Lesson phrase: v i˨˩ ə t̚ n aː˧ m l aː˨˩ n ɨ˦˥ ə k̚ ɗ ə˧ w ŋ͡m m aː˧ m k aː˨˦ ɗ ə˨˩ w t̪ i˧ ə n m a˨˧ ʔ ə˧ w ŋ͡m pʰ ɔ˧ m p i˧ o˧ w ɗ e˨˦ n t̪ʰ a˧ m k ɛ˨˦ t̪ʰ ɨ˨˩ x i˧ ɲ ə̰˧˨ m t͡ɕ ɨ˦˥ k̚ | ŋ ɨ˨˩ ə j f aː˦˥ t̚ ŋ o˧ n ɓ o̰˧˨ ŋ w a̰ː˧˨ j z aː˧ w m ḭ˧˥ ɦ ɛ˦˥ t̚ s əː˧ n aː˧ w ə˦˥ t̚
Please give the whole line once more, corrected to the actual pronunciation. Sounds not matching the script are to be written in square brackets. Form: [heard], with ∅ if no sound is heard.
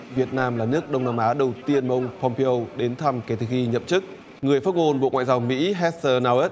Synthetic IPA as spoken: v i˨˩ ə t̚ n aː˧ m l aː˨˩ n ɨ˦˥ ə k̚ ɗ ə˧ w ŋ͡m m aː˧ m [ʔ] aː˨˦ ɗ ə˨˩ w t̪ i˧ ə n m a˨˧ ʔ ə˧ w ŋ͡m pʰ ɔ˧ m p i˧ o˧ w ɗ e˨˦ n t̪ʰ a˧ m k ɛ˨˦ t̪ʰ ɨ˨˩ x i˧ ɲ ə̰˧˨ m t͡ɕ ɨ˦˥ k̚ | ŋ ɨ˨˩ ə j f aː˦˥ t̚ ŋ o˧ n ɓ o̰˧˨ ŋ w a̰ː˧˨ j z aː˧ w m ḭ˧˥ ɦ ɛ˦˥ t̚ s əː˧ n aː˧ w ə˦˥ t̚